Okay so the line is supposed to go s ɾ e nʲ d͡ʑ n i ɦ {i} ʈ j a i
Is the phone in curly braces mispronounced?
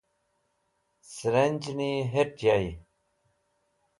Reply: yes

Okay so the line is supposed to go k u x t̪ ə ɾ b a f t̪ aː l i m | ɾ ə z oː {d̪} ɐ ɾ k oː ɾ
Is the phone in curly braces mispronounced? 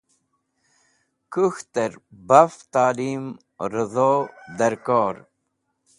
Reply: no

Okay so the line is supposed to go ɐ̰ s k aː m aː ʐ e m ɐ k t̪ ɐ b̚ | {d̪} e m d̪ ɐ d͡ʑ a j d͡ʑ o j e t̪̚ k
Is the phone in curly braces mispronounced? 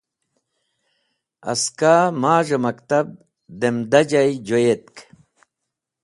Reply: no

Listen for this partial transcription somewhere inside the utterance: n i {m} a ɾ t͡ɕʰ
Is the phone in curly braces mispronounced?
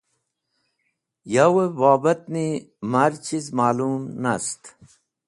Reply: no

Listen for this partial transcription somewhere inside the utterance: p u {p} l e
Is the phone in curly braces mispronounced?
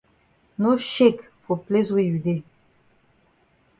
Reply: no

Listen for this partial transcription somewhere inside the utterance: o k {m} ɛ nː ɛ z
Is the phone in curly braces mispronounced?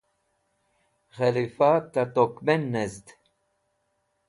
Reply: no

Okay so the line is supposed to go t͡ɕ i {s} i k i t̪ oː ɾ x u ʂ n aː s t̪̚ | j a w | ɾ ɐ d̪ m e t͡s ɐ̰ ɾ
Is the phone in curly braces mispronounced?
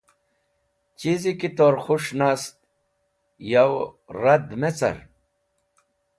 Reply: yes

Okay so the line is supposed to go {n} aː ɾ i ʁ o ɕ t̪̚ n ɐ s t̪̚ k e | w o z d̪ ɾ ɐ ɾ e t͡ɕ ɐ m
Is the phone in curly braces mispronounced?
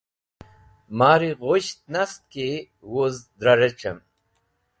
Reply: yes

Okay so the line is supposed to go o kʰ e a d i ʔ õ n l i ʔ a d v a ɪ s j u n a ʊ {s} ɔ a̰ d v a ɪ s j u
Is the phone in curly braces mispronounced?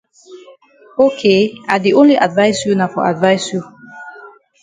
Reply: yes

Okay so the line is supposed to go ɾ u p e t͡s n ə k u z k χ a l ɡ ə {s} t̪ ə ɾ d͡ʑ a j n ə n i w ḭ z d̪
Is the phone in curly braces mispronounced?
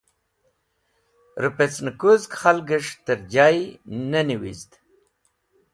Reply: yes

